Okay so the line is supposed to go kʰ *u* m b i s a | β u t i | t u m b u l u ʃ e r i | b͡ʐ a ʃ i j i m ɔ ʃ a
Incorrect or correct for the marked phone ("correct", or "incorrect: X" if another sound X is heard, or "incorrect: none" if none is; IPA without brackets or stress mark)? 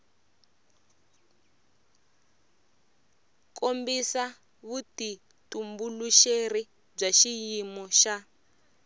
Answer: incorrect: o